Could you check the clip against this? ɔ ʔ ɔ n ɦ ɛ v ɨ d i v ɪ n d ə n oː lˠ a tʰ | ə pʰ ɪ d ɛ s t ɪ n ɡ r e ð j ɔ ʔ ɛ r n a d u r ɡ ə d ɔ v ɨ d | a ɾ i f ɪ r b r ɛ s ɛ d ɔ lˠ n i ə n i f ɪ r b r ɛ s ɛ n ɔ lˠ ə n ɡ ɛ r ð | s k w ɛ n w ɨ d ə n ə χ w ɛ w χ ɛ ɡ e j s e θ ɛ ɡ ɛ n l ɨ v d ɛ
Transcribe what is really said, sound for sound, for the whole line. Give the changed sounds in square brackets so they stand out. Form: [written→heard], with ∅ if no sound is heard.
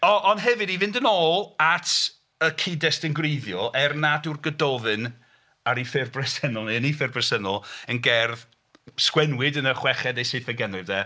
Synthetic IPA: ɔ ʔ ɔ n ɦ ɛ v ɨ d i v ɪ n d ə n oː lˠ a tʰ | ə [pʰ→kʰ] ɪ d ɛ s t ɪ n ɡ r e ð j ɔ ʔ ɛ r n a d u r ɡ ə d ɔ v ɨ [d→n] | a ɾ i f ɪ r b r ɛ s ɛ [d→n] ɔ lˠ n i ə n i f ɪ r b r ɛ s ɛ n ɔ lˠ ə n ɡ ɛ r ð | s k w ɛ n w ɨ d ə n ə χ w ɛ [w→∅] χ ɛ [ɡ→d] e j s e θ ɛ ɡ ɛ n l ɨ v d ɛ